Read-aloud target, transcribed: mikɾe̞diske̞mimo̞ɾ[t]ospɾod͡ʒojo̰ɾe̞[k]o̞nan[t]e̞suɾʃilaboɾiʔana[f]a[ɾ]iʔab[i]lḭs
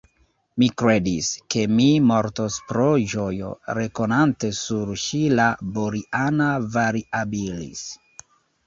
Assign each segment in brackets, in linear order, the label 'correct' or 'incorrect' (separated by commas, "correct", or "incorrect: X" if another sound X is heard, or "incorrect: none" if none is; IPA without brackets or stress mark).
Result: correct, correct, correct, incorrect: v, correct, correct